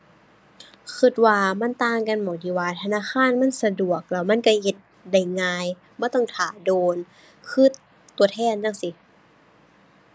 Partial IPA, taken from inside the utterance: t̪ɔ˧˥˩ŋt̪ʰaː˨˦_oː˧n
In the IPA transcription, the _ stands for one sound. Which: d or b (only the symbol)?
d